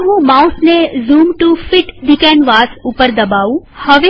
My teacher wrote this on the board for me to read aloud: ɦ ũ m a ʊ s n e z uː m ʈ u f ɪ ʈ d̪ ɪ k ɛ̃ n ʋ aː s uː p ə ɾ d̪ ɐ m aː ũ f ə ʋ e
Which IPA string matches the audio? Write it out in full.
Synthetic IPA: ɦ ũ m a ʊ s n e z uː m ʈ u f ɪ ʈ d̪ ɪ k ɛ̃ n ʋ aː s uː p ə ɾ d̪ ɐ b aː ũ h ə ʋ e